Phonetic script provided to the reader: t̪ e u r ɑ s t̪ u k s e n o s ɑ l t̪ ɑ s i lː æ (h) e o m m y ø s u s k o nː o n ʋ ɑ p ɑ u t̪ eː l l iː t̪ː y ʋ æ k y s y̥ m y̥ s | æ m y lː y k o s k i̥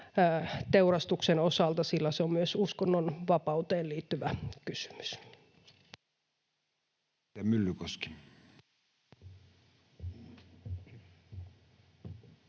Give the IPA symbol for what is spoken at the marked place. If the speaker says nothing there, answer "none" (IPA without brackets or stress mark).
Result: s